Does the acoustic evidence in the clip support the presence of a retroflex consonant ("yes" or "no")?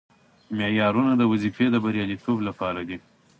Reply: no